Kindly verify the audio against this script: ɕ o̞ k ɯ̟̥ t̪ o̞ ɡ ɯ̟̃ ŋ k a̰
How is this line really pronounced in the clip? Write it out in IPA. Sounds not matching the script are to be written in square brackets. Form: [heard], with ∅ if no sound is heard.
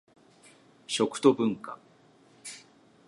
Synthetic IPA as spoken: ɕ o̞ k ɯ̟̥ t̪ o̞ [b] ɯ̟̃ ŋ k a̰